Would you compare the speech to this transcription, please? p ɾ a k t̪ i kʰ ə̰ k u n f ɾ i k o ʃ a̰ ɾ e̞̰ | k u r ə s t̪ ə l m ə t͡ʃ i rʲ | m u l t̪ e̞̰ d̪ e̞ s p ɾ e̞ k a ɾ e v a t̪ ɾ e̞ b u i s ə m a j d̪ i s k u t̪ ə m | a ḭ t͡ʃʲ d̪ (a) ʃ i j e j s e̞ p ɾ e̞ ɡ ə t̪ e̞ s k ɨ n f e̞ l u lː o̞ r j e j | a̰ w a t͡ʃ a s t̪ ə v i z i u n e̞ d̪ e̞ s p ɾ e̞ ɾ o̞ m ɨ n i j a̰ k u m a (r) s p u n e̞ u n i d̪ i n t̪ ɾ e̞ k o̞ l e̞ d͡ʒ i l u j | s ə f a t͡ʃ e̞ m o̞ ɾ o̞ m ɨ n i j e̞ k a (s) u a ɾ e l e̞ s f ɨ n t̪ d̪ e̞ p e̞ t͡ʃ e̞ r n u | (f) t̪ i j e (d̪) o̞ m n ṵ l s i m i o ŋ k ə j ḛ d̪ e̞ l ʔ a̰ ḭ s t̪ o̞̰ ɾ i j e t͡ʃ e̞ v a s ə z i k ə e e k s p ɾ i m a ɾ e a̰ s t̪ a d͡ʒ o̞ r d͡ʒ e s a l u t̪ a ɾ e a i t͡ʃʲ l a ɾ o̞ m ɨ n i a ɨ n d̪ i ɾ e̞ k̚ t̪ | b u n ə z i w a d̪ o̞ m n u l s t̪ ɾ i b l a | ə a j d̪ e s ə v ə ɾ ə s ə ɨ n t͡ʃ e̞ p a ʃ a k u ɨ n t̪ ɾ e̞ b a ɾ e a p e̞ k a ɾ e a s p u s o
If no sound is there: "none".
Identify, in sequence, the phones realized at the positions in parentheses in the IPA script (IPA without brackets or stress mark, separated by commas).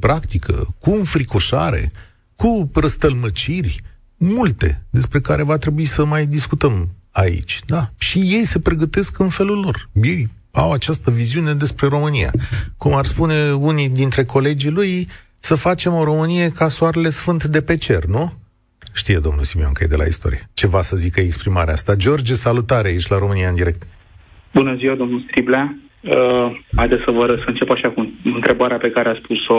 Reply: a, r, s, ʃ, d̪